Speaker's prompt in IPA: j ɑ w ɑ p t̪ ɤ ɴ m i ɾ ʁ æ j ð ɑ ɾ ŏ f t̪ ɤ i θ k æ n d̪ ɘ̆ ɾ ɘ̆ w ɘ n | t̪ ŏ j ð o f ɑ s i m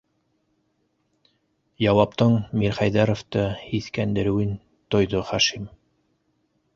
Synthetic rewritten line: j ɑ w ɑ p t̪ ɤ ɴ m i ɾ χ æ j ð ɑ ɾ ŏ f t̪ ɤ i θ k æ n d̪ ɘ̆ ɾ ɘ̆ w ɘ n | t̪ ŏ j ð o χ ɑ ʃ i m